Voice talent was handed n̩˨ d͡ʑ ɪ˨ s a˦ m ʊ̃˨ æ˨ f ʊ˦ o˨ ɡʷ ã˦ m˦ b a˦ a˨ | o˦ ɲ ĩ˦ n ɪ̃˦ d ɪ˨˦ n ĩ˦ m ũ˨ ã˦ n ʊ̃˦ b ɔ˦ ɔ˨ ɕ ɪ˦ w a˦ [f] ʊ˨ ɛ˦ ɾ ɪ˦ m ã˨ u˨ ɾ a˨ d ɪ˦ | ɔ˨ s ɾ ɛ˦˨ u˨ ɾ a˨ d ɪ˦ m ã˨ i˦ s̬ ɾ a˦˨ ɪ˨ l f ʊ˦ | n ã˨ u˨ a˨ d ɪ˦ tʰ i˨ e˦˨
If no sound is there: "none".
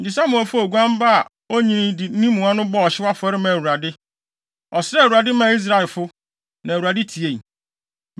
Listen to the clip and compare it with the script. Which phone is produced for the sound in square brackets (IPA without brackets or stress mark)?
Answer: f